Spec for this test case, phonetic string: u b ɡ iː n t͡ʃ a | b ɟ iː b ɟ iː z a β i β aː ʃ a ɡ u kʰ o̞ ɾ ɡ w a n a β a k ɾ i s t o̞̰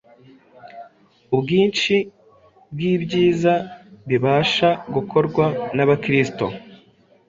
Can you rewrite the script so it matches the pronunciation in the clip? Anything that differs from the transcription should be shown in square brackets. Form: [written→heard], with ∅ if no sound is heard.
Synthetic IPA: u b ɡ iː n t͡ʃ [a→i] | b [ɟ→ɡ] iː b ɟ iː z a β i β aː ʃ a ɡ u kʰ o̞ ɾ ɡ w a n a β a k ɾ i s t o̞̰